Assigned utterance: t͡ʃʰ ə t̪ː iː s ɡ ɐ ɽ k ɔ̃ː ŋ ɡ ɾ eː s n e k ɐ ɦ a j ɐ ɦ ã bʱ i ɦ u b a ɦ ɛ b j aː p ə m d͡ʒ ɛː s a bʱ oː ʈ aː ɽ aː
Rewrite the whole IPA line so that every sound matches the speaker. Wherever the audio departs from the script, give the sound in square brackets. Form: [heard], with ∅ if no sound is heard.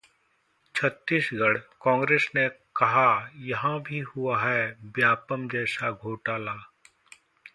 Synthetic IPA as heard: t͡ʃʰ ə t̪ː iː s ɡ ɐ ɽ k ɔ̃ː ŋ ɡ ɾ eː s n e k ɐ ɦ a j ɐ ɦ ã bʱ i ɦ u [∅] a ɦ ɛ b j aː p ə m d͡ʒ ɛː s a [ɡʱ] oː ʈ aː [l] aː